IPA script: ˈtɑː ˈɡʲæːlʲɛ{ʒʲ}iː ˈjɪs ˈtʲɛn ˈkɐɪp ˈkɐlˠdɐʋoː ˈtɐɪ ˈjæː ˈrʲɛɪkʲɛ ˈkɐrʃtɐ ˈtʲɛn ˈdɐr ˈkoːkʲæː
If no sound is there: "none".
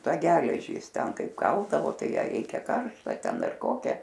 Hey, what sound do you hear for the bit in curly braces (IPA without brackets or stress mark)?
ʒʲ